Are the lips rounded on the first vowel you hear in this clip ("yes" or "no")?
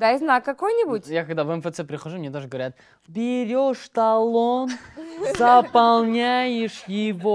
no